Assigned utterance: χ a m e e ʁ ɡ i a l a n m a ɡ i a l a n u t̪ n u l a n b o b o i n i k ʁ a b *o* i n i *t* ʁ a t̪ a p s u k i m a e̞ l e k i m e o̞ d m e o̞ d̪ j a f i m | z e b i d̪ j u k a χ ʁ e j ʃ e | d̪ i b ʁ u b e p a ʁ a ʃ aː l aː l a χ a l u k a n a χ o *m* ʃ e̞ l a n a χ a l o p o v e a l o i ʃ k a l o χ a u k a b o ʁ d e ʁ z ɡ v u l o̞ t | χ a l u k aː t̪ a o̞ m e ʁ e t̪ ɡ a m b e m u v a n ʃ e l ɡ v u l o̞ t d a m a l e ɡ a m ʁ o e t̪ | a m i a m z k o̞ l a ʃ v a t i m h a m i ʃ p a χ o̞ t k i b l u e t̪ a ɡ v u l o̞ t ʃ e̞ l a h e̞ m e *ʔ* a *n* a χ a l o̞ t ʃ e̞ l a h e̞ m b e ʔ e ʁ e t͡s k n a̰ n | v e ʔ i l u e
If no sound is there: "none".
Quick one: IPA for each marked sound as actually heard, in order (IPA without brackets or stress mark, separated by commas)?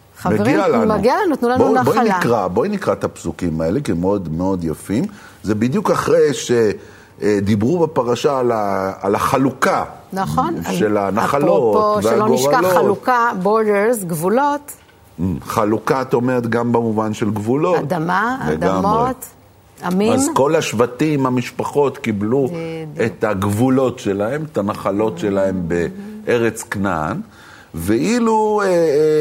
o, k, n, t, n